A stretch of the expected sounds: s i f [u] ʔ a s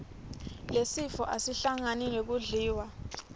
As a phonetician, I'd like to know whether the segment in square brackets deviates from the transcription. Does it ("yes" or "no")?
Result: yes